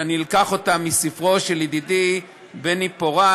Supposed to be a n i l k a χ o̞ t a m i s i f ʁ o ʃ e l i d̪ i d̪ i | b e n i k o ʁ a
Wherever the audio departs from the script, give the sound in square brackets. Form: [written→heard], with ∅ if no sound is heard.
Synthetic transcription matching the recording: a n i l k a χ o̞ t a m i s i f ʁ o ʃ e l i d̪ i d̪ i | b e n i [k→p] o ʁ a

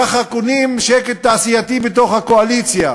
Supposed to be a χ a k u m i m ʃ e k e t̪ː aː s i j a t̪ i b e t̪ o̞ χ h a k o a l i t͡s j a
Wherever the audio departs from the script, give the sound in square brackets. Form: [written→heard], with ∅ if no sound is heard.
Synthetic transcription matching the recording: a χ a k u [m→n] i m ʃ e k e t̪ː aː s i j a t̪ i b e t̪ o̞ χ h a k o a l i t͡s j a

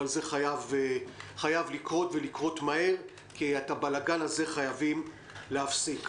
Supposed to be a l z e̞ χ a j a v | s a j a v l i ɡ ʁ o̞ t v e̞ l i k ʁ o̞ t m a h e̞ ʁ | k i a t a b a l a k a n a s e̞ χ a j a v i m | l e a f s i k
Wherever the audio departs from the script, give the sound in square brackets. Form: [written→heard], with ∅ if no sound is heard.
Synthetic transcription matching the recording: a l z e̞ χ a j a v | [s→χ] a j a v l i [ɡ→k] ʁ o̞ t v e̞ l i k ʁ o̞ t m a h e̞ ʁ | k i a t a b a l a [k→ɡ] a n a [s→z] e̞ χ a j a v i m | l e a f s i k

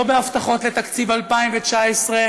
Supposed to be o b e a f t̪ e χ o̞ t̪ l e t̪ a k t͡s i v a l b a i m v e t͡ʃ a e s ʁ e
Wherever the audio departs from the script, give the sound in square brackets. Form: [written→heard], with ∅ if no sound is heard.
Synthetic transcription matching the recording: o b e a f t̪ [e→a] χ o̞ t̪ l e t̪ a k t͡s i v a l [b→p] a i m v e t͡ʃ a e s ʁ e

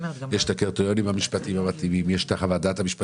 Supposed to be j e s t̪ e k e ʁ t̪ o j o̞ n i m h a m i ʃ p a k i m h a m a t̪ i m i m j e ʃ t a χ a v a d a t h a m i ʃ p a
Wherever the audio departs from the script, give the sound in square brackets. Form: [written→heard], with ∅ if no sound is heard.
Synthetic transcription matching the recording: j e [s→ʃ] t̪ [e→a] k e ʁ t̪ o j o̞ n i m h a m i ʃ p a [k→t] i m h a m a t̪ i m i m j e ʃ t a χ a v a d a t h a m i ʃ p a

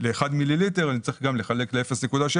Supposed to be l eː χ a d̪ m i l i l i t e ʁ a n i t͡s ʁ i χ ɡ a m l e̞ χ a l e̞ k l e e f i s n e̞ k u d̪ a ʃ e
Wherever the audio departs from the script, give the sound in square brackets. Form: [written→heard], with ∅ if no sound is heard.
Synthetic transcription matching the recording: l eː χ a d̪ m i l i l i t e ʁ a n i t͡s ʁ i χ ɡ a m l e̞ χ a l e̞ k l e e f [i→e] s n e̞ k u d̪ a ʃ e

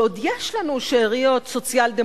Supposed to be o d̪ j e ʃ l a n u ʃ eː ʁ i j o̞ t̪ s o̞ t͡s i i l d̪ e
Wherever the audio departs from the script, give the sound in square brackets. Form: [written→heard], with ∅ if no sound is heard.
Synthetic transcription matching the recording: o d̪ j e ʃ l a n u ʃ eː ʁ i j o̞ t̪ s o̞ t͡s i [i→a] l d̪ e

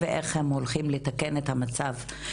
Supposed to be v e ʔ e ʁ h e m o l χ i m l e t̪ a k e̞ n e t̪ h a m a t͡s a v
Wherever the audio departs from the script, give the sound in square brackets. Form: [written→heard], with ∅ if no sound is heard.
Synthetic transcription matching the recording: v e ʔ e [ʁ→χ] h e m o l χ i m l e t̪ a k e̞ n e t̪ h a m a t͡s a v

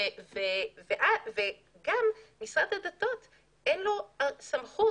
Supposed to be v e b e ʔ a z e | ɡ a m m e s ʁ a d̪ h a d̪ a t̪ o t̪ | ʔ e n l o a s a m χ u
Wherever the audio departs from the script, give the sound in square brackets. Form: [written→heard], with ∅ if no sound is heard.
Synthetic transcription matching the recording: v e [b→v] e ʔ a [z→v] e | ɡ a m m [e→i] s ʁ a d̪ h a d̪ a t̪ o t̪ | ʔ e n l o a s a m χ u

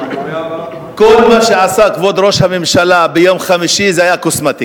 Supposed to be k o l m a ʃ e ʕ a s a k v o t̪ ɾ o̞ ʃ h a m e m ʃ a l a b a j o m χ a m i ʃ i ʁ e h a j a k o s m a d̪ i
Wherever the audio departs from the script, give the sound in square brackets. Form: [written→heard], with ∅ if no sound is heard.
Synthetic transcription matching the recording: k o l m a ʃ e ʕ a s a k v o [t̪→d̪] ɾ o̞ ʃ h a m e m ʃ a l a b [a→e] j o m χ a m i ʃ i [ʁ→z] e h a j a k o s m a [d̪→t̪] i

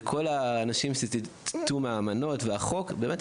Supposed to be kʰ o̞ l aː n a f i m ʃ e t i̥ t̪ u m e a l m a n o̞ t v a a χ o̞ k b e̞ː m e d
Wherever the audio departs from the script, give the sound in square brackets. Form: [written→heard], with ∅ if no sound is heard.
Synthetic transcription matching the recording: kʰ o̞ l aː n a [f→ʃ] i m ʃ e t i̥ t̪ u m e a [l→∅] m a n o̞ t v [a→e] a χ o̞ k b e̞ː m e [d→t]

